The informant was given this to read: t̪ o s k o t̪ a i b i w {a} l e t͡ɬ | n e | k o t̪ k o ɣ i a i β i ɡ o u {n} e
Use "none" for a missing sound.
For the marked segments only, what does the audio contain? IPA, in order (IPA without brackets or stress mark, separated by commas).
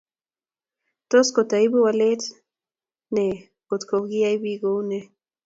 a, n